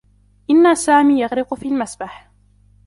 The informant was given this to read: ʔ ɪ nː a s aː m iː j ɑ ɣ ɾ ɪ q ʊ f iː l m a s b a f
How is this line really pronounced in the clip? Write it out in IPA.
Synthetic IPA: ʔ ɪ nː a s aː m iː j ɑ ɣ ɾ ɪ q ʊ f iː l m a s b a ħ